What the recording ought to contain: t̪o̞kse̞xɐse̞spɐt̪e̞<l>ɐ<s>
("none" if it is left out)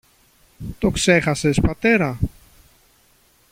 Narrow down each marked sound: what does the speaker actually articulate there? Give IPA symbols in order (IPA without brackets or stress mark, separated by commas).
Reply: ɾ, none